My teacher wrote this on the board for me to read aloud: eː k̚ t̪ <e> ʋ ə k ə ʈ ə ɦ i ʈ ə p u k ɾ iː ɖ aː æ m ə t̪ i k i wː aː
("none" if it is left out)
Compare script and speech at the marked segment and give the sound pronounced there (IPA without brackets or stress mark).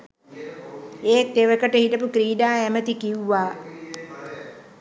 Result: e